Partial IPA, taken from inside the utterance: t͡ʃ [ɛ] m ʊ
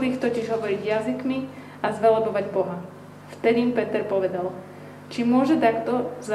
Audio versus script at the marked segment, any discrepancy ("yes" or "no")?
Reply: yes